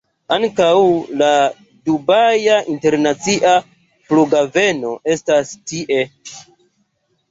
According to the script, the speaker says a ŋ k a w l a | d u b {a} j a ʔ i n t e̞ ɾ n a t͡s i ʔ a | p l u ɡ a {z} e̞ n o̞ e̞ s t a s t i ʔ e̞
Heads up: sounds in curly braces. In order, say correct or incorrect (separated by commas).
correct, incorrect